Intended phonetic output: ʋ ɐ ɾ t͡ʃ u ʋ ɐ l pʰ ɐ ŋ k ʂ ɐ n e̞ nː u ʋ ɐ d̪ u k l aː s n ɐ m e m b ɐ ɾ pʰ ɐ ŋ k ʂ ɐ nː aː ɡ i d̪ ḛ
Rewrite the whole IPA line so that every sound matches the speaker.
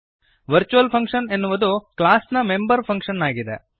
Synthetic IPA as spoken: ʋ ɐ ɾ t͡ʃ u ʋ ɐ l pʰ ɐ ŋ k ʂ ɐ n e̞ nː u ʋ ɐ d̪ u k l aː s n ɐ m e m b ɐ ɾ pʰ ɐ ŋ k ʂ ɐ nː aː ɡ i d̪ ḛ